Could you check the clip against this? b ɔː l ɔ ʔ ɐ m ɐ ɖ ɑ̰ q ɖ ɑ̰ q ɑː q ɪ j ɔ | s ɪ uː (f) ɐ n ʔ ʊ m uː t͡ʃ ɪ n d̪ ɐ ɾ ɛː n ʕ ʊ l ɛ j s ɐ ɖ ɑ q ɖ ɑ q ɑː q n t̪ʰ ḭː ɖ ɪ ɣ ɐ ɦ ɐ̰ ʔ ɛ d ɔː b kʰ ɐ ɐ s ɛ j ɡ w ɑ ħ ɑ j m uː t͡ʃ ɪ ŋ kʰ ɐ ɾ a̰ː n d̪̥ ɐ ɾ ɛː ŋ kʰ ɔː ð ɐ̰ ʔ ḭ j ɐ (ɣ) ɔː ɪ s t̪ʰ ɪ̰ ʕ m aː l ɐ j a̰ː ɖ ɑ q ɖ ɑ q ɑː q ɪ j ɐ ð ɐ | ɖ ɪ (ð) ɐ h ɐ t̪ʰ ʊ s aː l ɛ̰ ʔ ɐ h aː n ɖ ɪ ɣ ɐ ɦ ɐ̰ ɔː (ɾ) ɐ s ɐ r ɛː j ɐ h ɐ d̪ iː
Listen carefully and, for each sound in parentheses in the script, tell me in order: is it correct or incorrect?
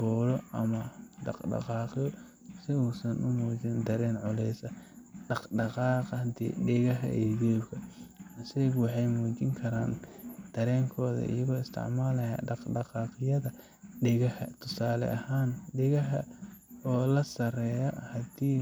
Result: incorrect, correct, incorrect, incorrect

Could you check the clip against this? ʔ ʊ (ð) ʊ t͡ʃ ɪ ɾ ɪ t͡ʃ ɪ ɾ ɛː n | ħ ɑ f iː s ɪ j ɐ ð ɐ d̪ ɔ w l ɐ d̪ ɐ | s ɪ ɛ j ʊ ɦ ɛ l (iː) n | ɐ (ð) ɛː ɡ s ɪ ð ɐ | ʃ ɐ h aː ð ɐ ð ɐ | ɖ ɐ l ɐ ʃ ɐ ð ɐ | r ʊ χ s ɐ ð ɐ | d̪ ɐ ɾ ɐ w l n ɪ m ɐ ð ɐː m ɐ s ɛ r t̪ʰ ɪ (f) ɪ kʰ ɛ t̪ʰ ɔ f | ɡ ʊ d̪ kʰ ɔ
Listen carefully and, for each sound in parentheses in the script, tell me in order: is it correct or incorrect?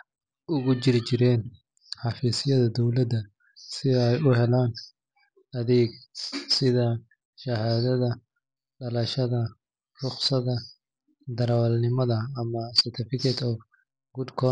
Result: incorrect, incorrect, correct, correct

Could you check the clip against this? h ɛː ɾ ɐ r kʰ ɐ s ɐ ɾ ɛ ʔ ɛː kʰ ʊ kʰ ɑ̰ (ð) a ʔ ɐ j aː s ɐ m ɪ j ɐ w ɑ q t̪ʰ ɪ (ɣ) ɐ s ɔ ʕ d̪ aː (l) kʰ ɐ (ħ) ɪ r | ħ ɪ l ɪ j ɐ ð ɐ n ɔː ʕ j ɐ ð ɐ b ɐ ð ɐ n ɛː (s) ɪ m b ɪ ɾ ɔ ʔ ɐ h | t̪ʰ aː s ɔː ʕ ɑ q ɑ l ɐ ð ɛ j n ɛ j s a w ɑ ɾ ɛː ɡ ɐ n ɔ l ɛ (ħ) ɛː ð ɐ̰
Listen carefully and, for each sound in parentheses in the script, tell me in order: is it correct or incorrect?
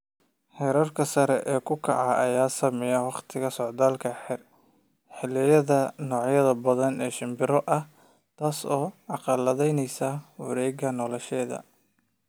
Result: incorrect, correct, correct, correct, incorrect, incorrect

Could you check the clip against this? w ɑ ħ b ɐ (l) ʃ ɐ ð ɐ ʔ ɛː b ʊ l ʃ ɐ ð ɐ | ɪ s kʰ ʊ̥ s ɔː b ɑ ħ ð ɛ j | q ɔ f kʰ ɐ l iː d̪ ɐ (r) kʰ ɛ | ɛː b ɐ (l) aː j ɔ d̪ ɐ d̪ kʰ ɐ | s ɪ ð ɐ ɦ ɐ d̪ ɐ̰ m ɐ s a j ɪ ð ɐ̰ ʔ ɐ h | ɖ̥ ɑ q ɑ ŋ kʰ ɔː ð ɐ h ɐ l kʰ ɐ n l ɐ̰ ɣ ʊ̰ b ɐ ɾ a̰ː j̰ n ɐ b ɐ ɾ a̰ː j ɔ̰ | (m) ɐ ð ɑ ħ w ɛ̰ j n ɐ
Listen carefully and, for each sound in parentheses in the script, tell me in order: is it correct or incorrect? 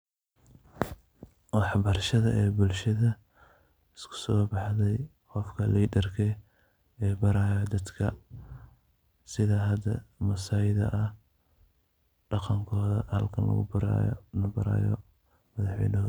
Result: incorrect, correct, incorrect, correct

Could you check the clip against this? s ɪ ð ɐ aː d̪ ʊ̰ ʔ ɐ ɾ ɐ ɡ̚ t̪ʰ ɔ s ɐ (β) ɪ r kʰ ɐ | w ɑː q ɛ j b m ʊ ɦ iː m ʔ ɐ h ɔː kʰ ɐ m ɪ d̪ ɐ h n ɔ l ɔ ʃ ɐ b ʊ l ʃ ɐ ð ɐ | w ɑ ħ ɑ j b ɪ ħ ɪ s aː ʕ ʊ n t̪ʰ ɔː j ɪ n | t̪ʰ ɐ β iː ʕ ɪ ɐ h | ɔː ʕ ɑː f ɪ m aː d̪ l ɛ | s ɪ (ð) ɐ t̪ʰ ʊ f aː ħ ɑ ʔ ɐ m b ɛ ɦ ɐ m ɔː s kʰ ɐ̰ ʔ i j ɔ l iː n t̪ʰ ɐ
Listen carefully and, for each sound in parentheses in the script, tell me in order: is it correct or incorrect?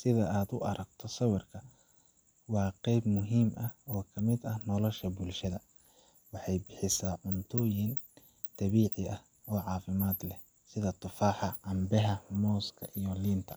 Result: incorrect, correct

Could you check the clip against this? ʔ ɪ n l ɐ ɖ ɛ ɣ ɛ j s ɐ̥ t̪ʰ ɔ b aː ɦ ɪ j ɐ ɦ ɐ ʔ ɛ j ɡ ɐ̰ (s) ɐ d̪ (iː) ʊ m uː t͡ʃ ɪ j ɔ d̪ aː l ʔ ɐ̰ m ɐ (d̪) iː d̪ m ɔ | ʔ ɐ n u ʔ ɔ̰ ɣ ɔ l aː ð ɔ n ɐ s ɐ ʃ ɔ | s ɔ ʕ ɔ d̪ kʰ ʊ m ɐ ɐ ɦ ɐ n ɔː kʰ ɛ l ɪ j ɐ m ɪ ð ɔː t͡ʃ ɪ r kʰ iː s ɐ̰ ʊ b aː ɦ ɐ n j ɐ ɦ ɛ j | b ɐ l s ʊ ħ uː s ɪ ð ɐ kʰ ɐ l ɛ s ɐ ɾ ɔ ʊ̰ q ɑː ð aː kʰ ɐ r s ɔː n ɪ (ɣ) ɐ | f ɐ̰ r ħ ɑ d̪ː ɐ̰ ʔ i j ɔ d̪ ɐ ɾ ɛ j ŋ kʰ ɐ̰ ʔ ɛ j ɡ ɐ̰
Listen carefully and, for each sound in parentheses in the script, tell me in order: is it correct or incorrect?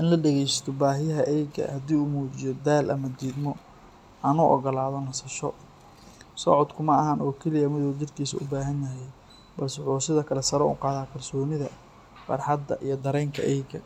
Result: incorrect, correct, correct, incorrect

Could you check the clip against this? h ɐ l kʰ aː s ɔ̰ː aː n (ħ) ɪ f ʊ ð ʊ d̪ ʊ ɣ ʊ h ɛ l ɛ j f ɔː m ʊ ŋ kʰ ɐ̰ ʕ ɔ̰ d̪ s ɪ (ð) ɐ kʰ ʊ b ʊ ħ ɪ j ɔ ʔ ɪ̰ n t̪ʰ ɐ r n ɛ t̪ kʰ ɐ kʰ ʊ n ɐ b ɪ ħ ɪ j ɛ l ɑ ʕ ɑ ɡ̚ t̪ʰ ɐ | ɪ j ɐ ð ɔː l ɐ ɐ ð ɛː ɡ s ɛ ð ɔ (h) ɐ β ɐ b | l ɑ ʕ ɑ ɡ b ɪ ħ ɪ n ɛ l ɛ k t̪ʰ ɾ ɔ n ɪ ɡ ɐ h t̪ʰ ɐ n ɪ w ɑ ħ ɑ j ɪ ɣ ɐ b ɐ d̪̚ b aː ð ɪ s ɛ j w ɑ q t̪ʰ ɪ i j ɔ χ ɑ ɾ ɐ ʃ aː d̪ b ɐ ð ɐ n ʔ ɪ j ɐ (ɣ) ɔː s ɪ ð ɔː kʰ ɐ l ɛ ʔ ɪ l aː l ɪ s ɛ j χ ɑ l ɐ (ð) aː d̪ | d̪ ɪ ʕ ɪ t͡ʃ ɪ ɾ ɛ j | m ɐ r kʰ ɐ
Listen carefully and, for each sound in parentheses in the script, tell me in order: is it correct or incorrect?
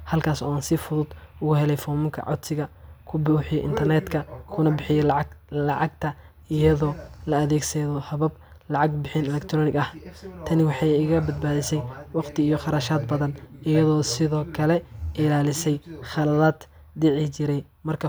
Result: incorrect, incorrect, correct, incorrect, correct

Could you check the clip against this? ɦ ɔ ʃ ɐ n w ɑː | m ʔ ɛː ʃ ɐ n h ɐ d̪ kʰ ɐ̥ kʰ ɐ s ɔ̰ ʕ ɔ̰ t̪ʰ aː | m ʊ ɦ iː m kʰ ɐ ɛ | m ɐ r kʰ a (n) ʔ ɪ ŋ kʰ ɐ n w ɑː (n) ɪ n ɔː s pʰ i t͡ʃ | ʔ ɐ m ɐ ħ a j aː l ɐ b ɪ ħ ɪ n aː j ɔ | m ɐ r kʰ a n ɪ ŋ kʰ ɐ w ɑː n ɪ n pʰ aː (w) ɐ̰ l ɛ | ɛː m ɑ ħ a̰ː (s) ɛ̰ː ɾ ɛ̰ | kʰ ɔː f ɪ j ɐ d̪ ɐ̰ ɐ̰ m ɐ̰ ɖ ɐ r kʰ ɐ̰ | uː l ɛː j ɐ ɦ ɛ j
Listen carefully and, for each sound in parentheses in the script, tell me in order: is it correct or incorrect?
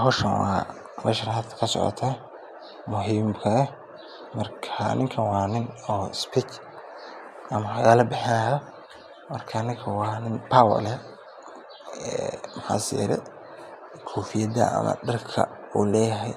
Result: correct, correct, correct, correct

